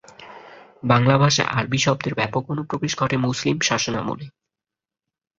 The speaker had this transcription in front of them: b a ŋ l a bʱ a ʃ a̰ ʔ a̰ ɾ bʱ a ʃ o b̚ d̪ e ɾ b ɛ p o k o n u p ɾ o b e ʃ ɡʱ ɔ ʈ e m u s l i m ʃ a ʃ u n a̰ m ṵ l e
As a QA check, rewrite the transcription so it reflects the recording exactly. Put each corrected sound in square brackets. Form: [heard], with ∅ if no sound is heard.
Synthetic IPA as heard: b a ŋ l a bʱ a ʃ a̰ ʔ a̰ ɾ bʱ [i] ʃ [ɔ] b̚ d̪ e ɾ b ɛ p o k o n u p ɾ o b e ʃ ɡʱ ɔ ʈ e m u s l i m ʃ a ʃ [o] n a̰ m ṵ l e